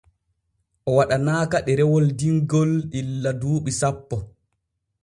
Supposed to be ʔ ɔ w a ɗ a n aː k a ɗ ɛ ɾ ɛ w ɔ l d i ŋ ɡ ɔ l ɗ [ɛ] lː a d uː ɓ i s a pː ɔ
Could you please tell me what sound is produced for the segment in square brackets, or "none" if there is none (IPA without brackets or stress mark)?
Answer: i